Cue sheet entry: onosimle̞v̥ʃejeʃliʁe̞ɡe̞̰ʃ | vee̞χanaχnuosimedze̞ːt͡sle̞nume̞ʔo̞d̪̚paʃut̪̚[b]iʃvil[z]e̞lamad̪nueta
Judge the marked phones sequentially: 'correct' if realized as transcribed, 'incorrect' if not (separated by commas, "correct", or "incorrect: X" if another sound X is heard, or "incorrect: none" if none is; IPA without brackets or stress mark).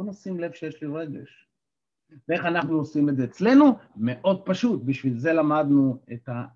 correct, correct